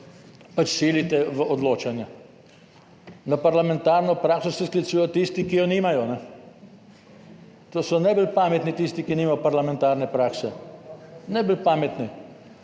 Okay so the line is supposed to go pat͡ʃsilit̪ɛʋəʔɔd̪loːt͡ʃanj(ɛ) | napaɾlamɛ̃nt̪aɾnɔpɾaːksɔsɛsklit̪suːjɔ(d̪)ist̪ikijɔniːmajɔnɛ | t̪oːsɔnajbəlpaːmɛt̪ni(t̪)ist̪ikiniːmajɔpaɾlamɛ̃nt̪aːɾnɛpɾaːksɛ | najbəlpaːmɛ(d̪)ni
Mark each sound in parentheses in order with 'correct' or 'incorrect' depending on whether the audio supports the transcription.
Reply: incorrect, incorrect, correct, incorrect

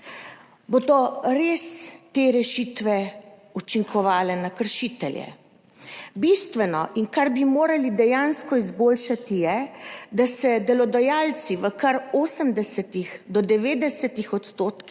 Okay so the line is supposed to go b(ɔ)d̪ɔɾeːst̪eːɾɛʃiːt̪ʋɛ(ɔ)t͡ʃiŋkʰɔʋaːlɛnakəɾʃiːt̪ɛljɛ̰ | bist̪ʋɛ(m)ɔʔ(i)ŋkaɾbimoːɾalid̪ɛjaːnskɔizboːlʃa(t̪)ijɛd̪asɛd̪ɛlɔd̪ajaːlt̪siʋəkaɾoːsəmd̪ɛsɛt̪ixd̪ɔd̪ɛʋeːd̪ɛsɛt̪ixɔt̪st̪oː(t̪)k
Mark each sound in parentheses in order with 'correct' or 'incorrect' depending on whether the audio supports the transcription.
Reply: incorrect, incorrect, incorrect, correct, correct, correct

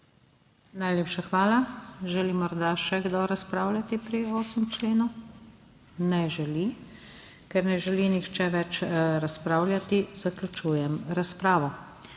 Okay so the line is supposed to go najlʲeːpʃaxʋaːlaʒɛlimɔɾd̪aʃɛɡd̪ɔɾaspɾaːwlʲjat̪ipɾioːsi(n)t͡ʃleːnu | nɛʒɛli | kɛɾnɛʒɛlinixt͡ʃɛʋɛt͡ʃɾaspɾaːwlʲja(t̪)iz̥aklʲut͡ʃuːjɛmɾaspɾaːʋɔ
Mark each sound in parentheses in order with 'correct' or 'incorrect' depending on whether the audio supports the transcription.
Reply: incorrect, correct

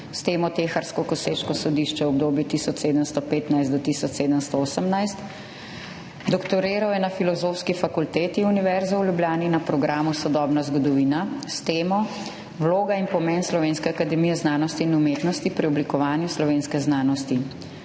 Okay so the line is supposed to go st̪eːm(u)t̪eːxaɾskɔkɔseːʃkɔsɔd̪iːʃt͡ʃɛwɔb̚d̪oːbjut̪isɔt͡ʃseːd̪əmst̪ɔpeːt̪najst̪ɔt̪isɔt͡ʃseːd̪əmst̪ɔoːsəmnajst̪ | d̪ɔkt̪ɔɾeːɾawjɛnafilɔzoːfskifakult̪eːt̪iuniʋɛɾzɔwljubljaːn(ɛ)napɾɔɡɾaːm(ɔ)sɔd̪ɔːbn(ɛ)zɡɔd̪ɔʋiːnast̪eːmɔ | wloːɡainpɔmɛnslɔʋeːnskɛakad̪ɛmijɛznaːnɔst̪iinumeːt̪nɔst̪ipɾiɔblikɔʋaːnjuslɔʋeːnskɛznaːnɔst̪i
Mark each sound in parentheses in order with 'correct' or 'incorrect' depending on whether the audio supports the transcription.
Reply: incorrect, incorrect, incorrect, incorrect

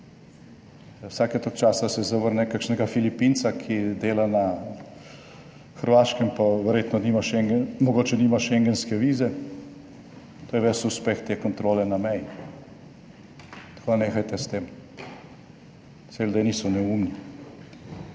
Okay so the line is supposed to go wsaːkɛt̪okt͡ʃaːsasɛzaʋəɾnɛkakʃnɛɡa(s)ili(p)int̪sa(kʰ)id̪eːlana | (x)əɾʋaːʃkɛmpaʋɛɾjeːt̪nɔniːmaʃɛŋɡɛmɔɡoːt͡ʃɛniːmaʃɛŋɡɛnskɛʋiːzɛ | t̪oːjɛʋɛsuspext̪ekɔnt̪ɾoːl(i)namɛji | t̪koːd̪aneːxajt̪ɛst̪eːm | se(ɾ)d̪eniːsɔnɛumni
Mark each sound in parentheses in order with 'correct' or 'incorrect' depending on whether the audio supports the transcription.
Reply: incorrect, correct, correct, correct, incorrect, incorrect

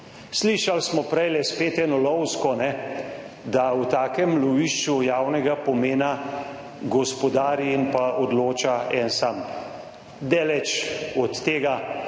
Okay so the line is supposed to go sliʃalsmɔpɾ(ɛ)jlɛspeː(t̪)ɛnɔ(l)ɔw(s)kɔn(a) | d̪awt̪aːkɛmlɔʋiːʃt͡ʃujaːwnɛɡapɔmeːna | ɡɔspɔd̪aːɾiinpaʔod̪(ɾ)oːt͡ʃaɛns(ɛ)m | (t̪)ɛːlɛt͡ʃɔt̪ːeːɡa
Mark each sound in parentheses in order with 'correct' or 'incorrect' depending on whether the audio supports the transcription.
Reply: correct, correct, correct, correct, incorrect, incorrect, incorrect, incorrect

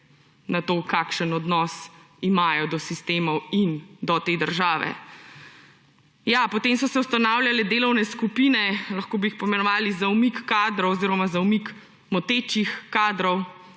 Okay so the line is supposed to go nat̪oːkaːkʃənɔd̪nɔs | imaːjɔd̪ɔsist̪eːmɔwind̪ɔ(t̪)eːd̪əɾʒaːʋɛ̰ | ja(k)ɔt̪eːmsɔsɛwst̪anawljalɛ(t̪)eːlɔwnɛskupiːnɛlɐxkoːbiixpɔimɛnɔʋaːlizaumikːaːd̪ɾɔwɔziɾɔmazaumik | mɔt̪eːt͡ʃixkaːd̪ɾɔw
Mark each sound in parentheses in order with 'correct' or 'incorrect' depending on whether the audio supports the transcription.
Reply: correct, incorrect, incorrect

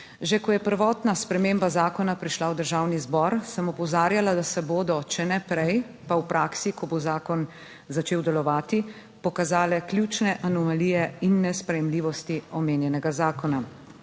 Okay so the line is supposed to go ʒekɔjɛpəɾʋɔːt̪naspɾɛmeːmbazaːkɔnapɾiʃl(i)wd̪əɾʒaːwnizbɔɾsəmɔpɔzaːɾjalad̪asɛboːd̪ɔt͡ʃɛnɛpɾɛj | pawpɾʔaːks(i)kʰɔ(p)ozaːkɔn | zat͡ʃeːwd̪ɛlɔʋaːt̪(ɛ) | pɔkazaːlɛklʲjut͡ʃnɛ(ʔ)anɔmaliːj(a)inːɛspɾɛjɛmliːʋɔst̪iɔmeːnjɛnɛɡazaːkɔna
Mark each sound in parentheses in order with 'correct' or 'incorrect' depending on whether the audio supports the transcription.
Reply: incorrect, correct, incorrect, incorrect, correct, incorrect

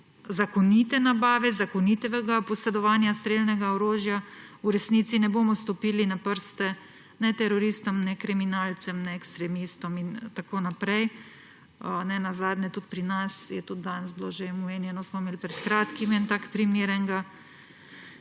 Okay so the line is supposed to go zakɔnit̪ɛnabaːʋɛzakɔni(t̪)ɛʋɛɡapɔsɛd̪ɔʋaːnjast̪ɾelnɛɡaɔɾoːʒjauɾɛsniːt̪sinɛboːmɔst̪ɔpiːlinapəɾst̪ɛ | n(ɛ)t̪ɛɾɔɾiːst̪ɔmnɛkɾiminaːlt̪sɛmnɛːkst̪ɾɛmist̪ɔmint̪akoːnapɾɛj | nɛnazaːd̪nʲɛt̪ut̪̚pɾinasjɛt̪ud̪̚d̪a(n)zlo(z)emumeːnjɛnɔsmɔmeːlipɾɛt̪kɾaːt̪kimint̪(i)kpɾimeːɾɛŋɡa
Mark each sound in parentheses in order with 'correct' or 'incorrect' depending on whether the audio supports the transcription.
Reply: correct, correct, correct, incorrect, incorrect

